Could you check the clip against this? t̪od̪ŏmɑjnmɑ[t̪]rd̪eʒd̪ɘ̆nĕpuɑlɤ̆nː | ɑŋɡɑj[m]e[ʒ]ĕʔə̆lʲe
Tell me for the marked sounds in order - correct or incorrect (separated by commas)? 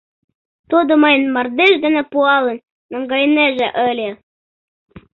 incorrect, incorrect, correct